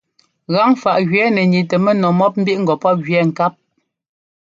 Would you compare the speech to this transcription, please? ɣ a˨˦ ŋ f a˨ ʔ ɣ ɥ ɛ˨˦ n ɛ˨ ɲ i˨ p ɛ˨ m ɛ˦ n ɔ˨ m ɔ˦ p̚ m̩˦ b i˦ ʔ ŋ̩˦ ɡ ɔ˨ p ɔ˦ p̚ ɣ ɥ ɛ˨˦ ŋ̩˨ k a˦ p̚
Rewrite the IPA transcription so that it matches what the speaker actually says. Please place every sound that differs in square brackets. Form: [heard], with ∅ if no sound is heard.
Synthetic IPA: ɣ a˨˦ ŋ f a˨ ʔ ɣ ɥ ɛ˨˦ n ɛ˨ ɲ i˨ [t] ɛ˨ m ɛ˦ n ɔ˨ m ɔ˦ p̚ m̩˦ b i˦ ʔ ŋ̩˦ ɡ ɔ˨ p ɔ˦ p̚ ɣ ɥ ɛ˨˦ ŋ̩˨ k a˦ p̚

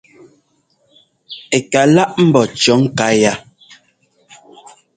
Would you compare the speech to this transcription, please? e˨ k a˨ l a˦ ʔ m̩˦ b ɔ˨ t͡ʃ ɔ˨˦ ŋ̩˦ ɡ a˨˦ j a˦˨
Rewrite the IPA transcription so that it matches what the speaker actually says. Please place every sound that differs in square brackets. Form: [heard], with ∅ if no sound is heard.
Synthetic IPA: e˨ k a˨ l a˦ ʔ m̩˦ b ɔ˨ t͡ʃ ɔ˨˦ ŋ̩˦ [k] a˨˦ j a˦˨

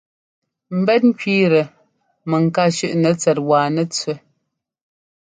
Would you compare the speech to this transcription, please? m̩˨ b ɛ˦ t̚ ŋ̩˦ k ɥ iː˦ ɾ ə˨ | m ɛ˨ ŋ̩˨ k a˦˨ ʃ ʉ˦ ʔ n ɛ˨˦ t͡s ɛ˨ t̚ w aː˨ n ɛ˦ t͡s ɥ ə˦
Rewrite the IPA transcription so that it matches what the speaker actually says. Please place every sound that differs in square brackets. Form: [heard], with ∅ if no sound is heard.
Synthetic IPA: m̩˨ b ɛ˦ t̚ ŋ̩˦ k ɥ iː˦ ɾ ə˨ | m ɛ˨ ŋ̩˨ k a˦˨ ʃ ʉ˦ ʔ n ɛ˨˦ t͡s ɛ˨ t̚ w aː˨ n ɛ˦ t͡s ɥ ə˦

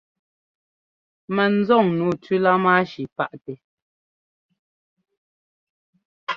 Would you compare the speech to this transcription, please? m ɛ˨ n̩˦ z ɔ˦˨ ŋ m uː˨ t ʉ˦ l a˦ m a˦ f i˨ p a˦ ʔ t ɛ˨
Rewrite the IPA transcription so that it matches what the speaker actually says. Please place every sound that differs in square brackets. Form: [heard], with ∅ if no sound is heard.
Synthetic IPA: m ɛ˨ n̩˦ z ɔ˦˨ ŋ [n] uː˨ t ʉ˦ l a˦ m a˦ [ʃ] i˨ p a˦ ʔ t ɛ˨

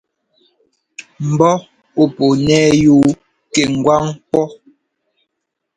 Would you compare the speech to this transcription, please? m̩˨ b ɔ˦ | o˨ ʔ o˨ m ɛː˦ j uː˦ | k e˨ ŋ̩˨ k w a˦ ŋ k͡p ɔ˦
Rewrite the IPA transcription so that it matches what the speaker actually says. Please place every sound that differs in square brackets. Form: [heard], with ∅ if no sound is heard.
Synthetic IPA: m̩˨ b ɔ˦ | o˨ [p] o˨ [n] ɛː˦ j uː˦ | k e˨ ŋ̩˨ [ɡ] w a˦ ŋ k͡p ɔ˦

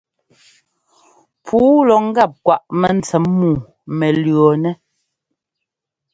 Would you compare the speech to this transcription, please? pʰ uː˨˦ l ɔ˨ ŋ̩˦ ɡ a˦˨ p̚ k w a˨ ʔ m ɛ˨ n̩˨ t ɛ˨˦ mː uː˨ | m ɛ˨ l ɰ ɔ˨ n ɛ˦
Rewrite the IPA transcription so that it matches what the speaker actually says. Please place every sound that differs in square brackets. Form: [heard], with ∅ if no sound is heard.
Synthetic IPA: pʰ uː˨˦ l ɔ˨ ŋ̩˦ ɡ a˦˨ p̚ k w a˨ ʔ m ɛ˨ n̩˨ [t͡s] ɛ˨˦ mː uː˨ | m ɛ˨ l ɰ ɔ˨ n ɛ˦

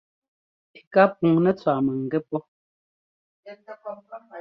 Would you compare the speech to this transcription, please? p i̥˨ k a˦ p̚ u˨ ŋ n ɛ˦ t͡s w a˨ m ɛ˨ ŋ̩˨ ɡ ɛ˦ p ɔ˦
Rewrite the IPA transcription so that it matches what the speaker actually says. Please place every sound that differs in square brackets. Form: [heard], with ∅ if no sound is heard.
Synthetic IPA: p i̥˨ k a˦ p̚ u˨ ŋ n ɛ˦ t͡s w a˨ m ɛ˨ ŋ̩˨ ɡ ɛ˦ p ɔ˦

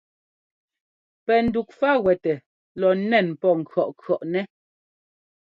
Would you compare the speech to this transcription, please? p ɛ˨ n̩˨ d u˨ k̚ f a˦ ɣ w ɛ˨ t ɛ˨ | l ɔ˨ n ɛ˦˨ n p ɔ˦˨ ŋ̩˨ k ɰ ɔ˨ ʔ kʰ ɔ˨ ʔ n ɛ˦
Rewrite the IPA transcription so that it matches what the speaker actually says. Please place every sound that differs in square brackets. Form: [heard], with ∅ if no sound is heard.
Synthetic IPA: p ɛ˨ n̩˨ d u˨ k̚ f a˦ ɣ w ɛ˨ t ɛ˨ | l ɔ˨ n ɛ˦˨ n p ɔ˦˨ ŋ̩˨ k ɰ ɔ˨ ʔ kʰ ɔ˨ ʔ n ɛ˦

